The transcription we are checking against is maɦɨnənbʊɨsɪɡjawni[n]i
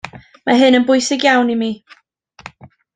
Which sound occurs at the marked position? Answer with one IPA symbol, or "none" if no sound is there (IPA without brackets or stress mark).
m